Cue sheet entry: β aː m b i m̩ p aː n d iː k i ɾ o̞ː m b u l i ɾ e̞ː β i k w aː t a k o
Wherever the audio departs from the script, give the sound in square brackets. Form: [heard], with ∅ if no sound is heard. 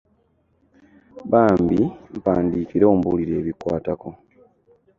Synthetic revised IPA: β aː m b i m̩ p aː n d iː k i ɾ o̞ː m b u l i ɾ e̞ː β i k w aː t a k o